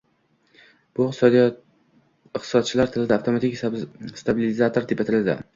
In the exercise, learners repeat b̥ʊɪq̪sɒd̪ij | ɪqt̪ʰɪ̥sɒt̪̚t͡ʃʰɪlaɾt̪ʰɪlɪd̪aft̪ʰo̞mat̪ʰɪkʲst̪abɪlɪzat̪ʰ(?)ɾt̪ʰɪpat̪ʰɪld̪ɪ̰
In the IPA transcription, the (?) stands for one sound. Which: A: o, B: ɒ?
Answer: A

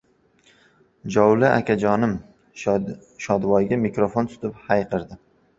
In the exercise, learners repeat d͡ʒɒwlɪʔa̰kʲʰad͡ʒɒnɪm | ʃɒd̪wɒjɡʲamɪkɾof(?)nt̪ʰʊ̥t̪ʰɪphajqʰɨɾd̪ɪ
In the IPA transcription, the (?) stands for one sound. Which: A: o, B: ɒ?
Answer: A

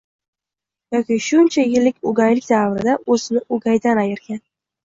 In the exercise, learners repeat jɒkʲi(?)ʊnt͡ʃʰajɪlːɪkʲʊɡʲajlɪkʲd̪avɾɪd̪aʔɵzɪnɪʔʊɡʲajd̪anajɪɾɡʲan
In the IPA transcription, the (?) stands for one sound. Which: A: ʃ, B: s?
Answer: A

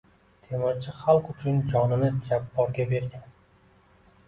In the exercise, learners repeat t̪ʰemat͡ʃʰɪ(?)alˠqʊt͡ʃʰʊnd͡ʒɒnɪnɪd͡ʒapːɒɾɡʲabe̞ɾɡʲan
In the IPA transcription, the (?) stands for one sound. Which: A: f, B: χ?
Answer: B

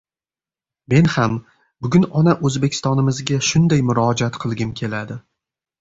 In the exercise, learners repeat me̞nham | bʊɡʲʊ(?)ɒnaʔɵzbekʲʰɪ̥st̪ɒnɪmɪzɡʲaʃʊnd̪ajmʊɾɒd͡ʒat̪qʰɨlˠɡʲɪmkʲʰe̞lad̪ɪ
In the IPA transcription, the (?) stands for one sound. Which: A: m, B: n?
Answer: B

